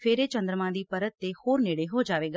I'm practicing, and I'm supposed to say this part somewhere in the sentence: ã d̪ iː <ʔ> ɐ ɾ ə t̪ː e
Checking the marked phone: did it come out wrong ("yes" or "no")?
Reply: yes